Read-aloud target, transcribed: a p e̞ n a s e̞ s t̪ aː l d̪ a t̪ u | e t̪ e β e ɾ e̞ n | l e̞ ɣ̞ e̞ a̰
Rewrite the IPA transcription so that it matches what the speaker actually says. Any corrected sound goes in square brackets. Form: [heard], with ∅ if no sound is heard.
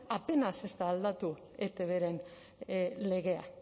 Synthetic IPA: a p e̞ n a s e̞ s t̪ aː l d̪ a t̪ u | e t̪ e β e ɾ e̞ n | l e̞ ɣ̞ e̞ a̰